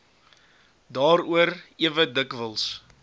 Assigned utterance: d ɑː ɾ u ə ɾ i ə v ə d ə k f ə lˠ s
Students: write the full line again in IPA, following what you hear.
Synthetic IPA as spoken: d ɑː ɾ u ə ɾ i ə v ə d ə k v ə lˠ s